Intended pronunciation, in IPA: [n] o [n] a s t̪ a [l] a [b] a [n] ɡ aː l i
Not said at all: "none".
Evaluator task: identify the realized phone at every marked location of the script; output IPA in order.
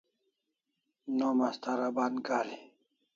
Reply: n, m, ɾ, b, n

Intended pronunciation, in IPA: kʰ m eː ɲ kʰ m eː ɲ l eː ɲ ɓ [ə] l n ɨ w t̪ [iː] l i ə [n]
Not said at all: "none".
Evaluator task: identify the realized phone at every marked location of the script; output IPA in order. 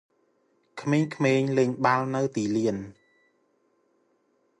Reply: a, iː, n

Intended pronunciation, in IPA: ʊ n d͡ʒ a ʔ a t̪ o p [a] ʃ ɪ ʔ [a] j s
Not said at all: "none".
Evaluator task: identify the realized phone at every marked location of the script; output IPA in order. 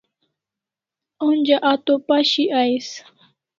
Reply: a, a

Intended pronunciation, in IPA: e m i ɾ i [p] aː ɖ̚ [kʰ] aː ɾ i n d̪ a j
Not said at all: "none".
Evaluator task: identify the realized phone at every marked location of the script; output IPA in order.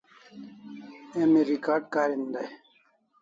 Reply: k, k

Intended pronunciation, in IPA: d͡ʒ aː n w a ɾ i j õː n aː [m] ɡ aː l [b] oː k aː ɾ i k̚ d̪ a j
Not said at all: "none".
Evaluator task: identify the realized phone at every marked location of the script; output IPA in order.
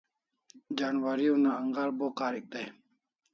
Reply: ŋ, b

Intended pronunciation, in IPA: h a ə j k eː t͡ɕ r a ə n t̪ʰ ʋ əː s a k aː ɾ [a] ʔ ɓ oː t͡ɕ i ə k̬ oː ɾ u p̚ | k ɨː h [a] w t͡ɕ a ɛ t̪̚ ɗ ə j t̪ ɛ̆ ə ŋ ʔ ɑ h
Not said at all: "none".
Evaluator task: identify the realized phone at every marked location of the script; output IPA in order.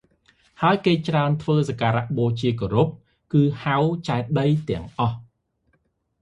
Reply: a, a

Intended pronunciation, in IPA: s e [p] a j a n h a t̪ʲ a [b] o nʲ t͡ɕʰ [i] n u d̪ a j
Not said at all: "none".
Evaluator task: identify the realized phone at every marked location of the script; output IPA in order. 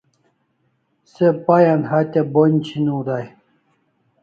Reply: p, b, i

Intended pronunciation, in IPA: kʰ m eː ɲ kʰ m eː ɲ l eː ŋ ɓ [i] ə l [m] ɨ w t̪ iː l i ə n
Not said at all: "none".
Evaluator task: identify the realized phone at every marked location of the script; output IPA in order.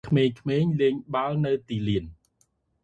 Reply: a, n

